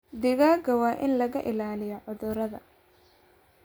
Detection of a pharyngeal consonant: present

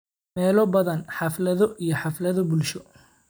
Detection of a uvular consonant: absent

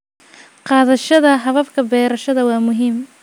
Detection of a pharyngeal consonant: absent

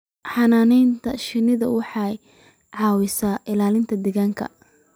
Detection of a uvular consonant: absent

